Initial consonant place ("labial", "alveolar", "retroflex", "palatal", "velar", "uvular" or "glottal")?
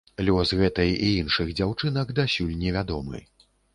alveolar